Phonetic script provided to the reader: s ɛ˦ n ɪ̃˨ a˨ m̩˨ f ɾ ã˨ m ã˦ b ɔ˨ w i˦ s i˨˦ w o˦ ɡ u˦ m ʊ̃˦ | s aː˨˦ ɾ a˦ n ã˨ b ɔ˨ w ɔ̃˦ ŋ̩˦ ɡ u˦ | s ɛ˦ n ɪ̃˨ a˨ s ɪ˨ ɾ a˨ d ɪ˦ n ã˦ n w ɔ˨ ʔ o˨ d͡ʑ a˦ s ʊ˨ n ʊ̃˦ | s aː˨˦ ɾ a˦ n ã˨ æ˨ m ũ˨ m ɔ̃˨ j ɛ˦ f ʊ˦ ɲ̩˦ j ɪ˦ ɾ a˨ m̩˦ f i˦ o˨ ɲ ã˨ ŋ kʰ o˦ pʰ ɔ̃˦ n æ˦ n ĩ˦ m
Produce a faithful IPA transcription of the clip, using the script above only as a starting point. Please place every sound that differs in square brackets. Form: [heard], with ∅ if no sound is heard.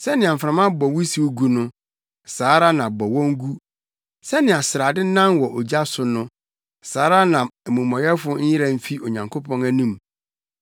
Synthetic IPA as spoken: s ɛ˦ n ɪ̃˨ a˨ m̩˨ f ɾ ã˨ m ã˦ b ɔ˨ w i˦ s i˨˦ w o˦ ɡ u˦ [n] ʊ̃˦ | s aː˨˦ ɾ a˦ n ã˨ b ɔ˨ w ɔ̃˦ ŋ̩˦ ɡ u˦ | s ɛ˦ n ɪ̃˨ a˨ s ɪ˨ ɾ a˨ d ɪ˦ n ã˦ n w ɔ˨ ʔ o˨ d͡ʑ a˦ s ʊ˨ n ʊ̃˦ | s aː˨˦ ɾ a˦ n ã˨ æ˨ m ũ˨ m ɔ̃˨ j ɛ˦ f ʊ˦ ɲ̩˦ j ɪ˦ ɾ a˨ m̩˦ f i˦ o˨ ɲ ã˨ ŋ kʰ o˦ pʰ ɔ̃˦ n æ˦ n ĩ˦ m